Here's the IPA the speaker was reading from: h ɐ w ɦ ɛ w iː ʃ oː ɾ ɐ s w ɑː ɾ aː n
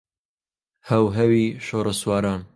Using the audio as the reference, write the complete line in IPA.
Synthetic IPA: h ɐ w ɦ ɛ w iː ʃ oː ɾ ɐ s w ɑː ɾ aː n